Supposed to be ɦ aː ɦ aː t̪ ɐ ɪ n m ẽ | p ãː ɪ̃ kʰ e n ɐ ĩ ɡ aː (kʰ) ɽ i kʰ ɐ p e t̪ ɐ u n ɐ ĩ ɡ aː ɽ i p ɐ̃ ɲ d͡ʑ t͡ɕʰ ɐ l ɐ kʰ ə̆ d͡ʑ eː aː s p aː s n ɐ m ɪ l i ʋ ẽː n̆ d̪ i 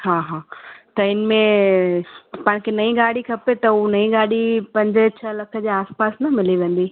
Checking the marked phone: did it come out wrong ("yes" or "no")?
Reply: yes